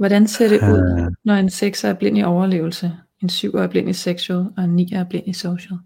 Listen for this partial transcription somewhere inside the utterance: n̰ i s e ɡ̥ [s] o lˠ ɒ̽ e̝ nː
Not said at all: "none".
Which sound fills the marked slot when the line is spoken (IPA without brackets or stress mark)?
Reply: s